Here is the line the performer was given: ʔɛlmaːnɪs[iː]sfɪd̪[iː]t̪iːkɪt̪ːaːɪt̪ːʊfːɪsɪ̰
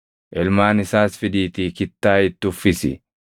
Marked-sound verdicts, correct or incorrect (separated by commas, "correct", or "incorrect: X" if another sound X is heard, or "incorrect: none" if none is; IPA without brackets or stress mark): incorrect: aː, correct